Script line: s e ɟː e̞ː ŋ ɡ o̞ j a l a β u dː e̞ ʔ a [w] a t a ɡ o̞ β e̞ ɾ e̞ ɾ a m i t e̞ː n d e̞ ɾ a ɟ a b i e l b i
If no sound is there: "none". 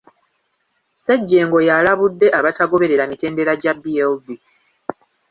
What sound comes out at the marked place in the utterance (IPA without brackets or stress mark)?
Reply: β